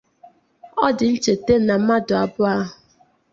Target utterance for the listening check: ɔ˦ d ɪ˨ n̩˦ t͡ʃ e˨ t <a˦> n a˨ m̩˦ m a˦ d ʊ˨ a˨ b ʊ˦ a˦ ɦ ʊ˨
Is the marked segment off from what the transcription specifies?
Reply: yes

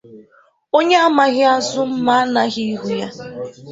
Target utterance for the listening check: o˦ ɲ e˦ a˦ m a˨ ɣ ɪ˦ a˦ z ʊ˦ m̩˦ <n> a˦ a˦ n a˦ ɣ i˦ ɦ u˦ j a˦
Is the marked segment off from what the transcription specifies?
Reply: yes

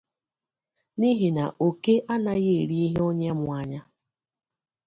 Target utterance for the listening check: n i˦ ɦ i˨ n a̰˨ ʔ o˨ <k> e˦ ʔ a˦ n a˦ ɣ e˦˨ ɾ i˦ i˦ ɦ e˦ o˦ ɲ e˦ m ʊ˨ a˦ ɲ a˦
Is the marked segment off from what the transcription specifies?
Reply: no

